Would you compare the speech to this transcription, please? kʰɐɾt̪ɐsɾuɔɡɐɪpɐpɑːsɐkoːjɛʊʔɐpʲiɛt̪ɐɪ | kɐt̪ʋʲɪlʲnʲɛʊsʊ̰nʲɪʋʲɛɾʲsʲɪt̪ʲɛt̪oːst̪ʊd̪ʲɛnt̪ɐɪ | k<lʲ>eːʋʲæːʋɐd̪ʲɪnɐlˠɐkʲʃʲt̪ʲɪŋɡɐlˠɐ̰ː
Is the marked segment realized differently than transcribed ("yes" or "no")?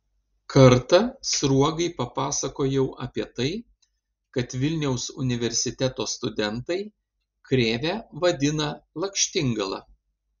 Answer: yes